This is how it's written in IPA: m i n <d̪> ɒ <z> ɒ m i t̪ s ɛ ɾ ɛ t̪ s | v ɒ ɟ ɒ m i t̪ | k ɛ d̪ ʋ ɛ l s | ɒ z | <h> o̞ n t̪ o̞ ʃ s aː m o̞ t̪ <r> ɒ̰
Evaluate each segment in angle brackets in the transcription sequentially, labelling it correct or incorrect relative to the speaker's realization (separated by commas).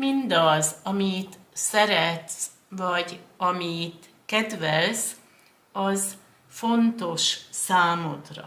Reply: correct, correct, incorrect, correct